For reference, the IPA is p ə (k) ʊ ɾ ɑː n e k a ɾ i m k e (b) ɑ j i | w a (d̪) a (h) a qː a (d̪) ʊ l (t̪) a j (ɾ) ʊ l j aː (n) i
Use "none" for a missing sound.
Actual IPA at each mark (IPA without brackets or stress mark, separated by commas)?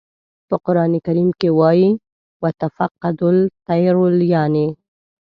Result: q, w, t̪, f, d̪, t̪, ɾ, n